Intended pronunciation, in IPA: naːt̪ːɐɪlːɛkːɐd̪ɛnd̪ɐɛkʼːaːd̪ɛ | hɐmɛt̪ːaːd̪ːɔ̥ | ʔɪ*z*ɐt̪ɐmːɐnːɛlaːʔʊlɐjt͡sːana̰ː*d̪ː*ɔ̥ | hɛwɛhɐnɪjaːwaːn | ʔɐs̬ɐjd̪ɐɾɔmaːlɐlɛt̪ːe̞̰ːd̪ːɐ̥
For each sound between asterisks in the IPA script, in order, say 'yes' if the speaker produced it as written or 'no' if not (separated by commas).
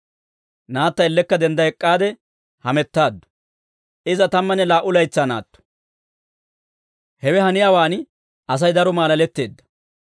yes, no